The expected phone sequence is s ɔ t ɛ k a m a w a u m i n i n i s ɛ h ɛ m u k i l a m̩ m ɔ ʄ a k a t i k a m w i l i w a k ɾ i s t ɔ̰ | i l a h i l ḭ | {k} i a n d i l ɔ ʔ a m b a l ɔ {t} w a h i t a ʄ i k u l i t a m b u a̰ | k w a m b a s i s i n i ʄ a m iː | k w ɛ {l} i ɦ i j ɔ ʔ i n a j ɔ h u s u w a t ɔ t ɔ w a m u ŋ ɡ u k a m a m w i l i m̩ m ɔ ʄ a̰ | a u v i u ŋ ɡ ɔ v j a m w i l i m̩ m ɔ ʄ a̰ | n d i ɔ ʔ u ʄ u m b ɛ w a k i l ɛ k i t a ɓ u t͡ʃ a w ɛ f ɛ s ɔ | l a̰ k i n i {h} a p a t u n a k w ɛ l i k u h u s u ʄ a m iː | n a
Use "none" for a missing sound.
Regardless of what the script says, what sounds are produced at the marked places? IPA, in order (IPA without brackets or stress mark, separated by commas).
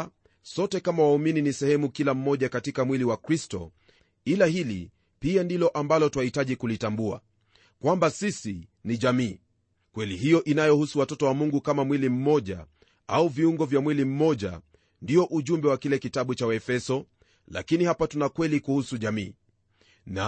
p, t, l, h